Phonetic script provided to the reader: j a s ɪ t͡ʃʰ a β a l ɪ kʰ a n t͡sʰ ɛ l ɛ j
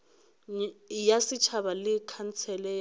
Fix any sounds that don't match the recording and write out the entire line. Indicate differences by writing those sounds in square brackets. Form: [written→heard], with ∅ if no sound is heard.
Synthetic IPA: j a s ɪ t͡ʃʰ a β a l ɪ kʰ a n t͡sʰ ɛ l ɛ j